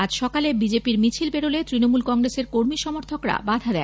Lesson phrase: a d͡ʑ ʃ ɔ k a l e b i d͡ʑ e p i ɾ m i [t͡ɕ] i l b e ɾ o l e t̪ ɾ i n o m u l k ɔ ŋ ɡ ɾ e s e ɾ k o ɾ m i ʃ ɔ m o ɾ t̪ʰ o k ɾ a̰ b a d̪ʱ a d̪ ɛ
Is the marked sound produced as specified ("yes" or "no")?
no